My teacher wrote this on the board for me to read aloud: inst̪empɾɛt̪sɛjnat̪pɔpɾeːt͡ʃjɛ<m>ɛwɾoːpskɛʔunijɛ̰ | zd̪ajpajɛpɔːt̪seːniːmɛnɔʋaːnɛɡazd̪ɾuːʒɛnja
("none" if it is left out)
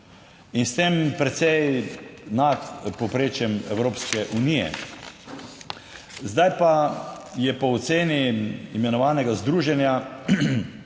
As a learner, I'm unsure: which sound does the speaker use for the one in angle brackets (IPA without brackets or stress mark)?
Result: m